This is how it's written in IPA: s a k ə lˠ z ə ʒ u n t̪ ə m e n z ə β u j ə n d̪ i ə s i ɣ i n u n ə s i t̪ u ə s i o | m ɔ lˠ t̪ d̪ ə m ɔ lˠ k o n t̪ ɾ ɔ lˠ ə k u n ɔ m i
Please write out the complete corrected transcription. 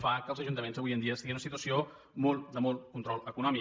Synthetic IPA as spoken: f a k ə lˠ z ə ʒ u n t̪ ə m e n z ə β u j ə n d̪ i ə s i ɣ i n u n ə s i t̪ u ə s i o | m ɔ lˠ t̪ d̪ ə m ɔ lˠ k u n t̪ ɾ ɔ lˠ ə k u n ɔ m i

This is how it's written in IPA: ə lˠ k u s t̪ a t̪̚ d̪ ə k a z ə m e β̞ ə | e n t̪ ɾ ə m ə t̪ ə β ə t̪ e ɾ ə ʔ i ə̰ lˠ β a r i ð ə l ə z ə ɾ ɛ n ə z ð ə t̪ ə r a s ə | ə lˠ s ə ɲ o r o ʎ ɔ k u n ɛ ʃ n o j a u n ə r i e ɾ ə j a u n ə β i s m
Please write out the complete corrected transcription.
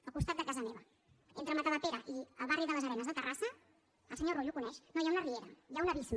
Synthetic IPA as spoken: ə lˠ k u s t̪ a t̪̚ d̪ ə k a z ə m e β̞ ə | e n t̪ ɾ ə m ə t̪ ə β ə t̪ e ɾ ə ʔ i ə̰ lˠ β a r i ð ə l ə z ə ɾ ɛ n ə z ð ə t̪ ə r a s ə | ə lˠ s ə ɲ o r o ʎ u k u n ɛ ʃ n o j a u n ə r i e ɾ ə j a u n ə β i s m

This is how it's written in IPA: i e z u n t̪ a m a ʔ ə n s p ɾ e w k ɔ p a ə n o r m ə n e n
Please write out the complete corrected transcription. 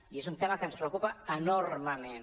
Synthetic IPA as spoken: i e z u n t̪ e m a k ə n s p ɾ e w k u p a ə n o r m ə m e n

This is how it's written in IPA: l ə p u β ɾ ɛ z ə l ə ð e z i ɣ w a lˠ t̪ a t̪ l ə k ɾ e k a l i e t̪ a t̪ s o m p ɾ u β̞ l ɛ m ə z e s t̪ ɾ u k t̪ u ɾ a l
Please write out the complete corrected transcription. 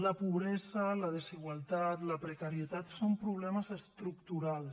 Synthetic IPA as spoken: l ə p u β ɾ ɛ z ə l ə ð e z i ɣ w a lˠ t̪ a t̪ l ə p ɾ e k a ɾ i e t̪ a t̪ s o m p ɾ u β̞ l ɛ m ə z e s t̪ ɾ u k t̪ u ɾ a l

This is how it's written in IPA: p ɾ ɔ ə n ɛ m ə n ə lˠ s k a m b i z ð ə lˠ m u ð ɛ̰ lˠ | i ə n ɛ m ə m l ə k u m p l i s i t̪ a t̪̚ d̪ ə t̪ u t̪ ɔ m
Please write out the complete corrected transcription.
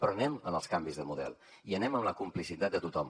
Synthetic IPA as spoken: p ɾ ɔ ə n ɛ m ə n ə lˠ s k a m b i z ð ə m u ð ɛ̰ lˠ | i ə n ɛ m ə m l ə k u m p l i s i t̪ a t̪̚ d̪ ə t̪ u t̪ ɔ m

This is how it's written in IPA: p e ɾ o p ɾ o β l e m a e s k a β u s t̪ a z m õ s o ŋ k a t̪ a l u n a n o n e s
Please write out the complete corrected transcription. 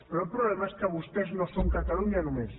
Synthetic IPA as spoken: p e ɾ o p ɾ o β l e m a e s k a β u s t̪ e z n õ s o ŋ k a t̪ a l u ɲ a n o m e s

